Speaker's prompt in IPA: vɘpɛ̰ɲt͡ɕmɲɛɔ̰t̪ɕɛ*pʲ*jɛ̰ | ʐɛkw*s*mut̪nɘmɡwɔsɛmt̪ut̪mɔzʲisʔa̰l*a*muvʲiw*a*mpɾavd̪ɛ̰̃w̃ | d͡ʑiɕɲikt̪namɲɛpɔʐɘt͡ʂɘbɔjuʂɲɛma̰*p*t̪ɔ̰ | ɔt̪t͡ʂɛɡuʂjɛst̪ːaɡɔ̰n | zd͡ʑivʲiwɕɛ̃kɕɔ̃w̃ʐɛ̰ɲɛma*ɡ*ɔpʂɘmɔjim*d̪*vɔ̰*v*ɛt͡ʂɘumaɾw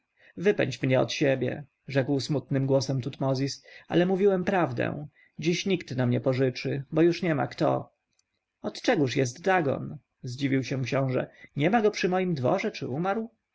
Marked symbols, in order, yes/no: no, yes, no, no, no, yes, yes, no

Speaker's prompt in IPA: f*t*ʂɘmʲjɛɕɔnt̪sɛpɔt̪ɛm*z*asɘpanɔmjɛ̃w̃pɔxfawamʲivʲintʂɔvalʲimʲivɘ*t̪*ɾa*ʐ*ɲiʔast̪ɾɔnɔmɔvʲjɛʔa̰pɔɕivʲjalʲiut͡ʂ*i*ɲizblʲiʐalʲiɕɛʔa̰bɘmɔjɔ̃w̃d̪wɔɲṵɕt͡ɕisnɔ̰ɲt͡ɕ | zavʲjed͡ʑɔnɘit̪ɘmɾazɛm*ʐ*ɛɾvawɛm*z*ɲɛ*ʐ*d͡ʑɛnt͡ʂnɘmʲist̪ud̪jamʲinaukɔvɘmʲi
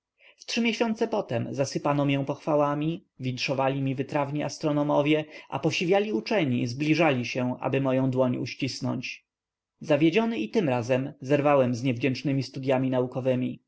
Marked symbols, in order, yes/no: yes, yes, yes, no, no, no, yes, no

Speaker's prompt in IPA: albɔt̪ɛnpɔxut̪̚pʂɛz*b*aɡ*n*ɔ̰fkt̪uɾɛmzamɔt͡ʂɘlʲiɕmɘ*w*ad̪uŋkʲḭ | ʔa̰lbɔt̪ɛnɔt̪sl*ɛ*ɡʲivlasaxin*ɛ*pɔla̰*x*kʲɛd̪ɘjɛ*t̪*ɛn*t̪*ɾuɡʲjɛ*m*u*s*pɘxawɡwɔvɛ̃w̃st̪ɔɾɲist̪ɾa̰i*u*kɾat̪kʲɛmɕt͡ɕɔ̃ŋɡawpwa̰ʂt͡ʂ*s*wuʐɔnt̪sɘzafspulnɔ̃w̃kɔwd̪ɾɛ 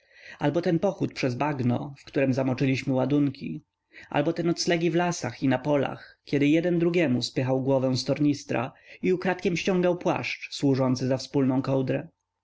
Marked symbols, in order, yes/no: yes, yes, yes, yes, no, yes, no, no, yes, yes, yes, yes

